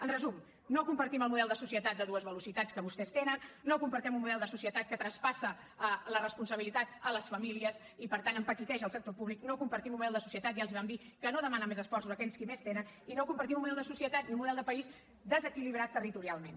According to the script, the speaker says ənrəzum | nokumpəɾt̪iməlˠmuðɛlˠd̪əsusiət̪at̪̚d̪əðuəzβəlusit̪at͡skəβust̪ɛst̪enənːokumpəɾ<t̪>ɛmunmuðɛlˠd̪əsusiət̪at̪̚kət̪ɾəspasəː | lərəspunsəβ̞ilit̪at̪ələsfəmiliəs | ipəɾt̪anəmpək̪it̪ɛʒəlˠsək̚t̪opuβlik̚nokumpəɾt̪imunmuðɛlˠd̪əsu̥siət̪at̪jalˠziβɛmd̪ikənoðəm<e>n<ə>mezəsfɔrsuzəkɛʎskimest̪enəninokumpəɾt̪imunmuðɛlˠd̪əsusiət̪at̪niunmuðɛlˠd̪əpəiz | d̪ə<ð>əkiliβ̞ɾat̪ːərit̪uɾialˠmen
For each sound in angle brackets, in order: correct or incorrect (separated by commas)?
correct, incorrect, correct, incorrect